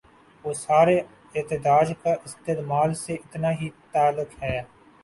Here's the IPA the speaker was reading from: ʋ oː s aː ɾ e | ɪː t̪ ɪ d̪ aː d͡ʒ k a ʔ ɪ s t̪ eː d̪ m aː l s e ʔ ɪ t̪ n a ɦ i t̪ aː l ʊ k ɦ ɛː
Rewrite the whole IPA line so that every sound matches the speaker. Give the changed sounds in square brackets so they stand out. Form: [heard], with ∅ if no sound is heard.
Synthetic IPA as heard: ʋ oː s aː ɾ e | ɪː t̪ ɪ d̪ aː d͡ʒ k a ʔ ɪ s t̪ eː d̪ m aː l s e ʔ ɪ t̪ n a ɦ i t̪ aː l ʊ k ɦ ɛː

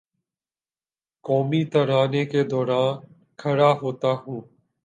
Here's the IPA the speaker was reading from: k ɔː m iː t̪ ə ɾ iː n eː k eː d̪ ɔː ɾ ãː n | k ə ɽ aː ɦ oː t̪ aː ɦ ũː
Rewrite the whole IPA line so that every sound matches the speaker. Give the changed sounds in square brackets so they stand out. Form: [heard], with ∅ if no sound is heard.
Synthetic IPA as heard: k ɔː m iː t̪ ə ɾ [aː] n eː k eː d̪ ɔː ɾ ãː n | [kʰ] ə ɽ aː ɦ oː t̪ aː ɦ ũː

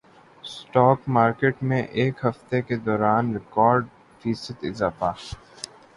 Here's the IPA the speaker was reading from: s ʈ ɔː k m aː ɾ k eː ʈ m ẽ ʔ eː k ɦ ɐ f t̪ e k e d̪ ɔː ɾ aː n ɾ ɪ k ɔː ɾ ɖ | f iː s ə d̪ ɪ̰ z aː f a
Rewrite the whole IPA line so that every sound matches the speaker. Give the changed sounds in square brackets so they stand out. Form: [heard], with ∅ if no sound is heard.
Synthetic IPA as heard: s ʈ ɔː k m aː ɾ k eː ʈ m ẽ ʔ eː k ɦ ɐ f t̪ e k e d̪ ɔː ɾ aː n ɾ ɪ k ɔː ɾ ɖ | f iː s ə [t̪] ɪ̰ z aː f a

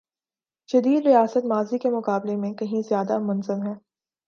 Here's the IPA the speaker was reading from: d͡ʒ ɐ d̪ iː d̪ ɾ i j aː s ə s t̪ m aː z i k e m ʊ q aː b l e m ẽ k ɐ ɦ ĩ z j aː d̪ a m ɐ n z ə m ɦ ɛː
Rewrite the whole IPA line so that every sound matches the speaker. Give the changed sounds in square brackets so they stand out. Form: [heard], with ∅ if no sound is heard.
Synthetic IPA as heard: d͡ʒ ɐ d̪ iː d̪ ɾ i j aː s ə [∅] t̪ m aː z i k e m ʊ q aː b l e m ẽ k ɐ ɦ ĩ z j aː d̪ a m ɐ n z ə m ɦ ɛː

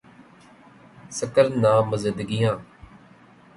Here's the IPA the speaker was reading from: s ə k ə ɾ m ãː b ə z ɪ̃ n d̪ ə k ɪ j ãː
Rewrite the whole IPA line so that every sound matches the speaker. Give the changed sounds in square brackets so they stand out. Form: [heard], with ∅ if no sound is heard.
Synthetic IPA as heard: s ə k ə ɾ [n] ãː [m] ə z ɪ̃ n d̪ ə [ɡ] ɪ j ãː

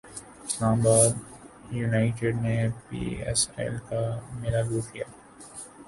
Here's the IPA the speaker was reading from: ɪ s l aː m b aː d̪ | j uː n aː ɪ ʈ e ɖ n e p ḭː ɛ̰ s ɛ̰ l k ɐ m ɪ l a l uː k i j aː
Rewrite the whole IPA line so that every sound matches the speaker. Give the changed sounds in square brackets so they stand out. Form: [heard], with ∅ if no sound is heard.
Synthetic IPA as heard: ɪ s l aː m b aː d̪ | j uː n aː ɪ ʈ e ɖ n e p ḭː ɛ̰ s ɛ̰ l k [a] m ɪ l a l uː k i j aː

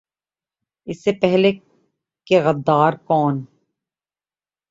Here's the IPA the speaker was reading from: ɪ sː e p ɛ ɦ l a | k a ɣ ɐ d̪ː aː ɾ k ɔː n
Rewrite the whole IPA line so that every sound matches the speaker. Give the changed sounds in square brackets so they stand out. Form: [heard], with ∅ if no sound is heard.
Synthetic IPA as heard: ɪ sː e p ɛ ɦ l [e] | k [e] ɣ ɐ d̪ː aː ɾ k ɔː n

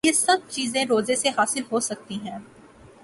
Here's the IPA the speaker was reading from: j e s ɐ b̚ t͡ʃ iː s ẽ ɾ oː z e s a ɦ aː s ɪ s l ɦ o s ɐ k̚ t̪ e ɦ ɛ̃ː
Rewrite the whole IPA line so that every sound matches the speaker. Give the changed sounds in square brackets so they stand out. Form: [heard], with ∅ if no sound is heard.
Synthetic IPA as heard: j e s ɐ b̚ t͡ʃ iː [z] ẽ ɾ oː z e s [e] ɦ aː s ɪ [∅] l ɦ o s ɐ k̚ t̪ [i] ɦ ɛ̃ː

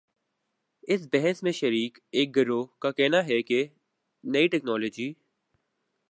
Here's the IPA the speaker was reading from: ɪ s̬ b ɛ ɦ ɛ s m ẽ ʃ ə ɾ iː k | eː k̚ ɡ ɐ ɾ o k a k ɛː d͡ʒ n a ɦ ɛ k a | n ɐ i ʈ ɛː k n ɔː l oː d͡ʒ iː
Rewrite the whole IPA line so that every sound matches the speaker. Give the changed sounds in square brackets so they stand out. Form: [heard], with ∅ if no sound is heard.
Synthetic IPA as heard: ɪ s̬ b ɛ ɦ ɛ s m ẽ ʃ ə ɾ iː k | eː k̚ ɡ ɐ ɾ o k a k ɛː [∅] n a ɦ ɛ k [e] | n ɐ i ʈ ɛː k n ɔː l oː d͡ʒ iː

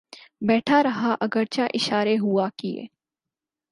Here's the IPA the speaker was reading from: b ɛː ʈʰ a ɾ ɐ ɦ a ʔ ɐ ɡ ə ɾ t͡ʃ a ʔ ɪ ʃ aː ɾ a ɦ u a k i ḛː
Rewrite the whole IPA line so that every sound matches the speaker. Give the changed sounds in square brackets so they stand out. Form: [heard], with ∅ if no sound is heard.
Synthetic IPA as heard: b ɛː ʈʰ a ɾ ɐ ɦ a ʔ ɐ ɡ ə ɾ t͡ʃ a ʔ ɪ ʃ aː ɾ [e] ɦ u a k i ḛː

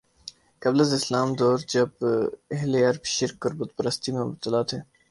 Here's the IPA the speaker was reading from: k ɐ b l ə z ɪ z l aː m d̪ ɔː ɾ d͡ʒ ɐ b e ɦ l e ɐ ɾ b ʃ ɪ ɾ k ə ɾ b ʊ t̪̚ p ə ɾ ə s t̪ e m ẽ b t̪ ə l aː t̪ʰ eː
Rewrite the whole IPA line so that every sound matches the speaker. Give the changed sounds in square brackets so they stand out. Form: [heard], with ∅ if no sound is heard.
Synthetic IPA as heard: k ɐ b l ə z ɪ [s] l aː m d̪ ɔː ɾ d͡ʒ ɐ b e ɦ l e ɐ ɾ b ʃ ɪ ɾ k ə ɾ b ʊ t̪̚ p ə ɾ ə s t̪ [i] m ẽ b t̪ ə l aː t̪ʰ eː

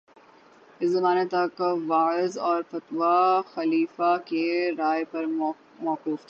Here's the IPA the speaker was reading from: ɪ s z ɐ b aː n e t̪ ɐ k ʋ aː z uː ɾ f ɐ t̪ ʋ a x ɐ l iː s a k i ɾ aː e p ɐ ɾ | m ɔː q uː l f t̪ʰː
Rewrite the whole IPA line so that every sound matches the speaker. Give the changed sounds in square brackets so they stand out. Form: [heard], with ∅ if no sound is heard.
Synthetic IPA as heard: ɪ s z ɐ [m] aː n e t̪ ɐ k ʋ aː z [ɔː] ɾ f ɐ t̪ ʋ a x ɐ l iː [f] a k [e] ɾ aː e p ɐ ɾ | m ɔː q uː [∅] f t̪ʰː

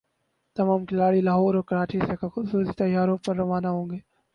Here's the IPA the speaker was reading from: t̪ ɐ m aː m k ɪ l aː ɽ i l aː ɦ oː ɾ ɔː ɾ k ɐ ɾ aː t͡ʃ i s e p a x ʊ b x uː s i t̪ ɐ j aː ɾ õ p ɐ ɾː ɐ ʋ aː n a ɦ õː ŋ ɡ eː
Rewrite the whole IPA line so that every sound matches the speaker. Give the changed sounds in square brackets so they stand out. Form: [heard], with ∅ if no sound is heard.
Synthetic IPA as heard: t̪ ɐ m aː m k ɪ l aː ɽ i l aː ɦ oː ɾ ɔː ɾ k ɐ ɾ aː t͡ʃ i s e [k] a x ʊ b [s] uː s i t̪ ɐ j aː ɾ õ p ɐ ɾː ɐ ʋ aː n a ɦ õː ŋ ɡ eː

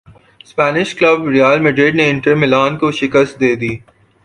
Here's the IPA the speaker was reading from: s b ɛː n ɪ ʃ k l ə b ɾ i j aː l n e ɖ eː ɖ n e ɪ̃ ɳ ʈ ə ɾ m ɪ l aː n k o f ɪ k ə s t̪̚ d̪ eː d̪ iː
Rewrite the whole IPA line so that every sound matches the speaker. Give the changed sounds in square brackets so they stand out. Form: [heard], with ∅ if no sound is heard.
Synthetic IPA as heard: s [p] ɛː n ɪ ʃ k l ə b ɾ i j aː l [m] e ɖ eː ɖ n e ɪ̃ ɳ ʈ ə ɾ m ɪ l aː n k o [ʃ] ɪ k ə s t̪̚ d̪ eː d̪ iː

